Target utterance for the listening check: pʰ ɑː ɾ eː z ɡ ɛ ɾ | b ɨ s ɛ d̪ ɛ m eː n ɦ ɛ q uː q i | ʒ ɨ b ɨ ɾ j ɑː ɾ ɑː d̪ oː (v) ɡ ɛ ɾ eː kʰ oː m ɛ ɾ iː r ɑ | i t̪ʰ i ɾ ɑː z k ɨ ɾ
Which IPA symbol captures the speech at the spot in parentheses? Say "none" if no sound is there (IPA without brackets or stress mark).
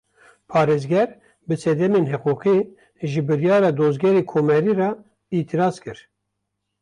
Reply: z